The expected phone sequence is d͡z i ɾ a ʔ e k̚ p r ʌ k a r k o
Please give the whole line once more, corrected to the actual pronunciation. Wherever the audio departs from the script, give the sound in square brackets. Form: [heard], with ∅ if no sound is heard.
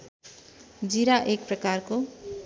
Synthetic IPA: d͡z i ɾ a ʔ e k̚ p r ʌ k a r k o